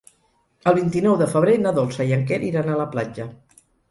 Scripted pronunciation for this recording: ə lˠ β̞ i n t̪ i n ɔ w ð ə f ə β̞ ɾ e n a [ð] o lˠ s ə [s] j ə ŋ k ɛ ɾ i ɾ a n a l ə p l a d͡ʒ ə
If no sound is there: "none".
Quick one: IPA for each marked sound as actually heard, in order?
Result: ð, none

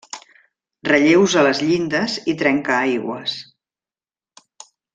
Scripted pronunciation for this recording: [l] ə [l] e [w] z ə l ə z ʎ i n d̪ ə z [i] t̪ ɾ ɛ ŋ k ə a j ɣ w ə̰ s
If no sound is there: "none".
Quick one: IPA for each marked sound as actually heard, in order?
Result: r, ʎ, w, i

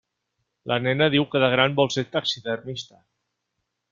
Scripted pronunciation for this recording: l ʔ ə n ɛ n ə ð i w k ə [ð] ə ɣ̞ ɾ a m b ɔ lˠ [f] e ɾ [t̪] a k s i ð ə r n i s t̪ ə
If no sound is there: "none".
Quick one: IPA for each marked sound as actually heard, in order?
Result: ð, s, t̪

